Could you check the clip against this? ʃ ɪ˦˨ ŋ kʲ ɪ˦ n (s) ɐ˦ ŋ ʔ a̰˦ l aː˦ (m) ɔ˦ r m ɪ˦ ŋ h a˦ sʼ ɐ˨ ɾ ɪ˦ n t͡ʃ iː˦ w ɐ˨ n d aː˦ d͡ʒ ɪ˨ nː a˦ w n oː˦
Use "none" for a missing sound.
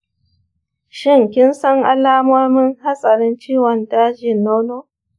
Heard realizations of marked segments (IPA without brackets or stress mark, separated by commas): s, m